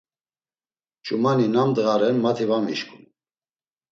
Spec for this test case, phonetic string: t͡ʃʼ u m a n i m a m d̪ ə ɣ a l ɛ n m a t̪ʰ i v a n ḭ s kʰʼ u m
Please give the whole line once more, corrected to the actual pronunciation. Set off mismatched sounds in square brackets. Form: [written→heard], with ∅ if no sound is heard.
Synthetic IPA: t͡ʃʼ u m a n i [m→n] a m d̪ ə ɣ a [l→ɾ] ɛ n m a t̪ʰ i v a [n→m] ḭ [s→ʃ] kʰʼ u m